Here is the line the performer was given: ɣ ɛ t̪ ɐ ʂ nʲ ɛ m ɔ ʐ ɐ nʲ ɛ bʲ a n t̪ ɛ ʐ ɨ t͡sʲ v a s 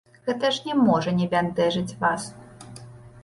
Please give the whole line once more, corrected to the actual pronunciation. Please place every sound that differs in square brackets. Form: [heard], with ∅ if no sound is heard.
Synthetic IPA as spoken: ɣ ɛ t̪ ɐ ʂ nʲ ɛ m ɔ ʐ ɐ nʲ ɛ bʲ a n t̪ ɛ ʐ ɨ t͡sʲ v a s